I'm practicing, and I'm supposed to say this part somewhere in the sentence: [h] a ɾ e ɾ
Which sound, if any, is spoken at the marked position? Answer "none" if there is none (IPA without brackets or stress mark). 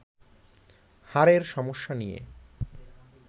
h